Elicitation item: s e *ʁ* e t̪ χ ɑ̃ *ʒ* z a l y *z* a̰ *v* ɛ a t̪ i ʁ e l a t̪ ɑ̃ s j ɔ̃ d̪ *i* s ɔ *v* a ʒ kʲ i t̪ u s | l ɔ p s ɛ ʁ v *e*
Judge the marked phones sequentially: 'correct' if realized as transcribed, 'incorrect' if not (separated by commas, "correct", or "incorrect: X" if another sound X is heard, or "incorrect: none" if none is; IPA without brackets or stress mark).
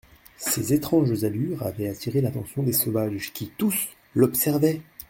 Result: incorrect: z, correct, incorrect: ʁ, correct, incorrect: e, correct, incorrect: ɛ